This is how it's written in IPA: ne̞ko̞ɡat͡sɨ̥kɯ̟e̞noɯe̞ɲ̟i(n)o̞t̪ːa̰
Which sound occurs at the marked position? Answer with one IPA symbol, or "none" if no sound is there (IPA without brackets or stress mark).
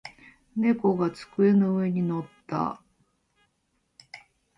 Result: n